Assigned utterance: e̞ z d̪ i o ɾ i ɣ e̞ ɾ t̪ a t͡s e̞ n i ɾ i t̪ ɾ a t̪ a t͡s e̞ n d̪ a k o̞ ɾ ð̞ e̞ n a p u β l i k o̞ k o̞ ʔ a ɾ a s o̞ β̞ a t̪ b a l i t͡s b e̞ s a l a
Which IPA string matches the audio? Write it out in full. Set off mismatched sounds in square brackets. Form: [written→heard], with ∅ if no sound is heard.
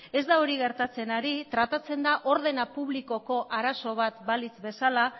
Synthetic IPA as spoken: e̞ z d̪ [i→a] o ɾ i ɣ e̞ ɾ t̪ a t͡s e̞ n [i→a] ɾ i t̪ ɾ a t̪ a t͡s e̞ n d̪ a [k→ʔ] o̞ ɾ ð̞ e̞ n a p u β l i k o̞ k o̞ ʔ a ɾ a s o̞ β̞ a t̪ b a l i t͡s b e̞ s a l a

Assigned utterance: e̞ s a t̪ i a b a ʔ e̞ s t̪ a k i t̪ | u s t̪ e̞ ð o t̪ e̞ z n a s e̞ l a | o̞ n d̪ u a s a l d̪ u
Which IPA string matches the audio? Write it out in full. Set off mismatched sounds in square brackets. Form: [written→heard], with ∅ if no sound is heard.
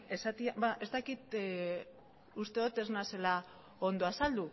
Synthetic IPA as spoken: e̞ s a t̪ i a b a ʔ e̞ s t̪ a k i t̪ | u s t̪ e̞ ð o t̪ e̞ z n a s e̞ l a | o̞ n d̪ [u→o] a s a l d̪ u

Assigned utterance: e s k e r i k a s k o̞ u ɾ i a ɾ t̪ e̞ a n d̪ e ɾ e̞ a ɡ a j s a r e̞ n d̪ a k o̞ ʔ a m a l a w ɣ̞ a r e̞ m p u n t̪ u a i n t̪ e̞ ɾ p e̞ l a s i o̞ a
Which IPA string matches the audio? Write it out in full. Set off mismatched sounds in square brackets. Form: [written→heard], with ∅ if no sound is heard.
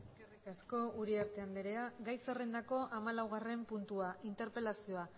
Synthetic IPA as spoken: e s k e r i k a s k o̞ u ɾ i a ɾ t̪ e̞ a n d̪ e ɾ e̞ a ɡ a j s [a→e] r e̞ n d̪ a k o̞ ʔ a m a l a w ɣ̞ a r e̞ m p u n t̪ u a i n t̪ e̞ ɾ p e̞ l a s i o̞ a

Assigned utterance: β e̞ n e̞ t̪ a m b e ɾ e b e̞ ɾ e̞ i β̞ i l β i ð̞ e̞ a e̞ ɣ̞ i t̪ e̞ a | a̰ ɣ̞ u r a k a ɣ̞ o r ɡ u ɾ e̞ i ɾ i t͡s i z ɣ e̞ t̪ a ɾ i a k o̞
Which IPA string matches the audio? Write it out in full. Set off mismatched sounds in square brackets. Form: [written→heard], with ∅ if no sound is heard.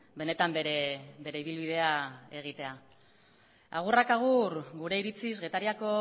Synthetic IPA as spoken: [β→b] e̞ n e̞ t̪ a m b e ɾ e b e̞ ɾ e̞ i β̞ i l β i ð̞ e̞ a e̞ ɣ̞ i t̪ e̞ a | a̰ ɣ̞ u r a k a ɣ̞ [o→u] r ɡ u ɾ e̞ i ɾ i t͡s i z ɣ e̞ t̪ a ɾ i a k o̞

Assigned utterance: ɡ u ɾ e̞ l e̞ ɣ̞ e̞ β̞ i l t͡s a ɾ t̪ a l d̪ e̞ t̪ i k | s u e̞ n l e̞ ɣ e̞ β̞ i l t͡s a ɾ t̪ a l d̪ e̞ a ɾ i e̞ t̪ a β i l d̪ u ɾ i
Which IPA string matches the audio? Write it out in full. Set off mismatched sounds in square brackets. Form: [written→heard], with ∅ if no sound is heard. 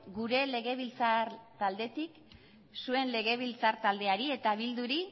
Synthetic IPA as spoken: ɡ u ɾ e̞ l e̞ ɣ̞ e̞ β̞ i l t͡s a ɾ t̪ a l d̪ e̞ t̪ i k | s u e̞ n l e̞ ɣ e̞ β̞ i l t͡s a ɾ t̪ a l d̪ e̞ a ɾ i e̞ t̪ a β i l d̪ u ɾ i

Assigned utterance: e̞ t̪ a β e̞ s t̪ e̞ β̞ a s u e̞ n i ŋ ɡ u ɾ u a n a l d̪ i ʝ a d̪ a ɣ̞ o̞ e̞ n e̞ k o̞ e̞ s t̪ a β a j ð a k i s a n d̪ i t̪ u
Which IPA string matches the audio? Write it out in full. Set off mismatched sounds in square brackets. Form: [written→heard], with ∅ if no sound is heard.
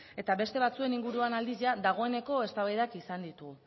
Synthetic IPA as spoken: e̞ t̪ a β e̞ s t̪ e̞ β̞ a [s→t͡s] u e̞ n i ŋ ɡ u ɾ u a n a l d̪ i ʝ a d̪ a ɣ̞ o̞ e̞ n e̞ k o̞ e̞ s t̪ a β a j ð a k i s a n d̪ i t̪ u

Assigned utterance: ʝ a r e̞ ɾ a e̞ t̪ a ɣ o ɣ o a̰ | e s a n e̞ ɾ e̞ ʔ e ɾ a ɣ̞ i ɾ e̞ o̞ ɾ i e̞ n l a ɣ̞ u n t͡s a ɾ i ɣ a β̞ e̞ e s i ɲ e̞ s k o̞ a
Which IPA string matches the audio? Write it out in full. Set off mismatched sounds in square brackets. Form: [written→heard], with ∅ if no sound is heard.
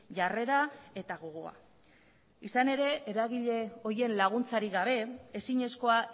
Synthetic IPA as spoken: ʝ a r e̞ ɾ a e̞ t̪ a ɣ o ɣ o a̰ | [e→i] s a n e̞ ɾ e̞ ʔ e ɾ a ɣ̞ i [ɾ→ʎ] e̞ o̞ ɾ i e̞ n l a ɣ̞ u n t͡s a ɾ i ɣ a β̞ e̞ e s i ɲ e̞ s k o̞ a

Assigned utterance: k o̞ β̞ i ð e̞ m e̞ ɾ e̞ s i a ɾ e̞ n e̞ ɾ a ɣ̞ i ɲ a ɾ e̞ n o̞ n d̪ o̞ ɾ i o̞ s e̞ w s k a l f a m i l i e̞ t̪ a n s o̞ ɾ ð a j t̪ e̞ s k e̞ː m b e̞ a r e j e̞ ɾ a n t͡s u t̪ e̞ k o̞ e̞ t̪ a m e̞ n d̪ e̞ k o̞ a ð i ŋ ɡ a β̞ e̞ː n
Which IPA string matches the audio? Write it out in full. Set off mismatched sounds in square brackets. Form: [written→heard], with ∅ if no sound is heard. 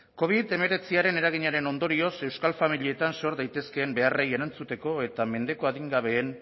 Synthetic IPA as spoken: k o̞ β̞ i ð e̞ m e̞ ɾ e̞ [s→t͡s] i a ɾ e̞ n e̞ ɾ a ɣ̞ i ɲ a ɾ e̞ n o̞ n d̪ o̞ ɾ i o̞ s e̞ w s k a l f a m i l i e̞ t̪ a n s o̞ ɾ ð a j t̪ e̞ s k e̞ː m b e̞ a r e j e̞ ɾ a n t͡s u t̪ e̞ k o̞ e̞ t̪ a m e̞ n d̪ e̞ k o̞ a ð i ŋ ɡ a β̞ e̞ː n

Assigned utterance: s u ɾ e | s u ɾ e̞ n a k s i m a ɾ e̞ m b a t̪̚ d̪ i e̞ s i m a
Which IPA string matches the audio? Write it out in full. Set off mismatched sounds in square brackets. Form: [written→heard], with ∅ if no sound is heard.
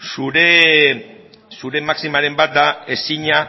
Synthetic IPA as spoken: s u ɾ e | s u ɾ e̞ [n→m] a k s i m a ɾ e̞ m b a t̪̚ d̪ [i→a] e̞ s i [m→ɲ] a

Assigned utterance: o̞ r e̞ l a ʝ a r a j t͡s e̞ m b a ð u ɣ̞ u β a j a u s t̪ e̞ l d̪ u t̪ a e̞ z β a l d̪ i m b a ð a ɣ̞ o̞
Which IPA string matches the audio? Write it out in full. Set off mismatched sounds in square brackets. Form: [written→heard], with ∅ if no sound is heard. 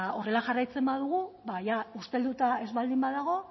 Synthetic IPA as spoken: o̞ r e̞ l a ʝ a r a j t͡s e̞ m b a ð u ɣ̞ u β a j a u s t̪ e̞ l d̪ u t̪ a e̞ z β a l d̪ i m b a ð a ɣ̞ o̞

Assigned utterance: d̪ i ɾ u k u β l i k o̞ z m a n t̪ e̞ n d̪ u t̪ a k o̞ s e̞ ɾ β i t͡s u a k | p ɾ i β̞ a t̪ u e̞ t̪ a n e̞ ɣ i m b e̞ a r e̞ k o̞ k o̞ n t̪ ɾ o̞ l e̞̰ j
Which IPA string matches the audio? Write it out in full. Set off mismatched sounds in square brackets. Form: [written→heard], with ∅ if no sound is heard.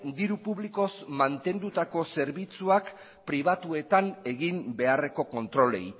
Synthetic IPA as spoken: d̪ i ɾ u [k→p] u β l i k o̞ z m a n t̪ e̞ n d̪ u t̪ a k o̞ s e̞ ɾ β i t͡s u a k | p ɾ i β̞ a t̪ u e̞ t̪ a n e̞ ɣ i m b e̞ a r e̞ k o̞ k o̞ n t̪ ɾ o̞ l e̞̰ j

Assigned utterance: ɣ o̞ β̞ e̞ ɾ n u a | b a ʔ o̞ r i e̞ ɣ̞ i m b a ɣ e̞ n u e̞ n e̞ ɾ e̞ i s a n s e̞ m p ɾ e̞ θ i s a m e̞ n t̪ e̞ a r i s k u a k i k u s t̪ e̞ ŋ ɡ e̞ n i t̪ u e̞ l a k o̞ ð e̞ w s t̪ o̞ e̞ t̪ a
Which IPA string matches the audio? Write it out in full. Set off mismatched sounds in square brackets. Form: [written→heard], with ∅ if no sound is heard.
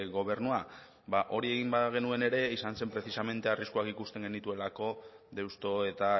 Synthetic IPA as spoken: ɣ o̞ β̞ e̞ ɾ n u a | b a ʔ o̞ [r→ɾ] i e̞ ɣ̞ i m b a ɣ e̞ n u e̞ n e̞ ɾ e̞ i s a n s e̞ m p ɾ e̞ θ i s a m e̞ n t̪ e̞ a r i s k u a k i k u s t̪ e̞ ŋ ɡ e̞ n i t̪ u e̞ l a k o̞ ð e̞ w s t̪ o̞ e̞ t̪ a

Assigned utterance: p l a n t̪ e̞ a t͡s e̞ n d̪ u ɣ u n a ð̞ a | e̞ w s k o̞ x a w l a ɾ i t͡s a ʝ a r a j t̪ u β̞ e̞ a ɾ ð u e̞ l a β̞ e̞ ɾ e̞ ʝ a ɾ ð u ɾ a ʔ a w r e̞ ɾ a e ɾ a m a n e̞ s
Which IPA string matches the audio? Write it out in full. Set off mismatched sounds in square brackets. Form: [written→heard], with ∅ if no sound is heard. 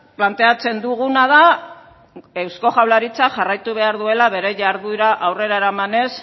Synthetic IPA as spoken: p l a n t̪ e̞ a t͡s e̞ n d̪ u ɣ u n a ð̞ a | e̞ w s k o̞ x a w l a ɾ i t͡s a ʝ a r a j t̪ u β̞ e̞ a ɾ ð u e̞ l a β̞ e̞ ɾ e̞ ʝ a ɾ ð u ɾ a ʔ a w r e̞ ɾ a e ɾ a m a n e̞ s

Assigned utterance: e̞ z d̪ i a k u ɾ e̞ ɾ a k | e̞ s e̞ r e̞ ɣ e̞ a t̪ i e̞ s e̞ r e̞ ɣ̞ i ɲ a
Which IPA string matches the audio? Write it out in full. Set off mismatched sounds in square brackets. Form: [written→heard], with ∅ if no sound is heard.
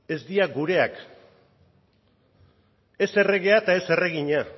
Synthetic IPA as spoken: e̞ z d̪ i a [k→ɡ] u ɾ e̞ [ɾ→∅] a k | e̞ s e̞ r e̞ ɣ e̞ a t̪ [i→a] e̞ s e̞ r e̞ ɣ̞ i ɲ a

